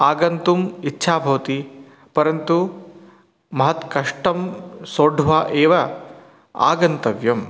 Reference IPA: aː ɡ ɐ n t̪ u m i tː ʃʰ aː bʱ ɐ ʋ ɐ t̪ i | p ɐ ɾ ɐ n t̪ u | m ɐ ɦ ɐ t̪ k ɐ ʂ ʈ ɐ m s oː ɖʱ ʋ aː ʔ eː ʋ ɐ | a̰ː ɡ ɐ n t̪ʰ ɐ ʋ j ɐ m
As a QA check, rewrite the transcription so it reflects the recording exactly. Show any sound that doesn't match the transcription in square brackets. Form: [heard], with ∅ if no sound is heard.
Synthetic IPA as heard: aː ɡ ɐ n t̪ u m i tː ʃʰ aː bʱ ɐ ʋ ɐ t̪ i | p ɐ ɾ ɐ n t̪ u | m ɐ ɦ ɐ t̪ k ɐ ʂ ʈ ɐ m s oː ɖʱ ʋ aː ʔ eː ʋ ɐ | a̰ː ɡ ɐ n [t̪] ɐ ʋ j ɐ m